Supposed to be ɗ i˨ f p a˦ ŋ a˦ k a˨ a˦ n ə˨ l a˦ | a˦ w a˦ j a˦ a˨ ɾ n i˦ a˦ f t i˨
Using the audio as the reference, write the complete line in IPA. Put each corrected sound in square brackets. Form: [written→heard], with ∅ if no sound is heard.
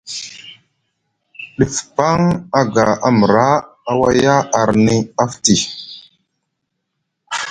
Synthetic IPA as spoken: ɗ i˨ f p a˦ ŋ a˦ [k→ɡ] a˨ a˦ [n→m] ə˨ [l→ɾ] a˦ | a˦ w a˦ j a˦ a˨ ɾ n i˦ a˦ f t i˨